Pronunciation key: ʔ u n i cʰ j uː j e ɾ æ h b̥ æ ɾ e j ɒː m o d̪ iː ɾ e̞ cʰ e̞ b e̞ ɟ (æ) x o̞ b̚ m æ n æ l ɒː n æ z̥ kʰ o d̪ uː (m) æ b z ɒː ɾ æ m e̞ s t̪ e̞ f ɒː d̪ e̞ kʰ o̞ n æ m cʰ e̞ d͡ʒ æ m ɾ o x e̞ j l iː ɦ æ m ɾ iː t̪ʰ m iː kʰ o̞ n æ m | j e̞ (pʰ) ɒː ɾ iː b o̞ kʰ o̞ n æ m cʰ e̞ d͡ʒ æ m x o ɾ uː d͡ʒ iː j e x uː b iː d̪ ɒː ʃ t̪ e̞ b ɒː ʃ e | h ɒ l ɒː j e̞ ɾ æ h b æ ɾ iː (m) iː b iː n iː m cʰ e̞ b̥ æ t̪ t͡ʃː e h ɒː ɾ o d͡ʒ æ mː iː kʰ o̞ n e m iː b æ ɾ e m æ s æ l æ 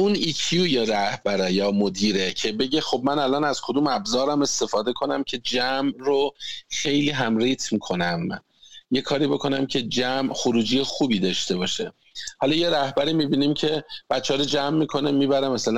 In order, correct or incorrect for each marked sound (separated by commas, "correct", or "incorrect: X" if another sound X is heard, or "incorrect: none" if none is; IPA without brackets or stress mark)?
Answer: incorrect: e, correct, incorrect: kʰ, correct